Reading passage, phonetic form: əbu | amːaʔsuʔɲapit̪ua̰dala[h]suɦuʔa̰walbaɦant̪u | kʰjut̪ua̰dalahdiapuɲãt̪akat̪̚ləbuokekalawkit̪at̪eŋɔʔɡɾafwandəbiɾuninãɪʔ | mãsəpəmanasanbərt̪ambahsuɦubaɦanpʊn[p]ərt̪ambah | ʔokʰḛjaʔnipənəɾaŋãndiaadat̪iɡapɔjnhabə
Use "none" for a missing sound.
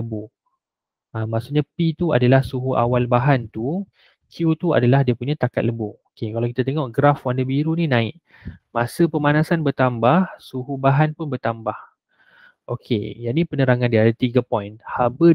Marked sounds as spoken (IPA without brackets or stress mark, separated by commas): h, b